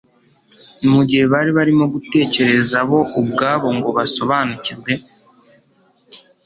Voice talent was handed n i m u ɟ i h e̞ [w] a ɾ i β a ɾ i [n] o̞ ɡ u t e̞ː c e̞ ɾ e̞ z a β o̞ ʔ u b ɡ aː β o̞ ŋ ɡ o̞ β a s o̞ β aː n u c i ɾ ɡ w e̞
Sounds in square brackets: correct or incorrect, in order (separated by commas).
incorrect, incorrect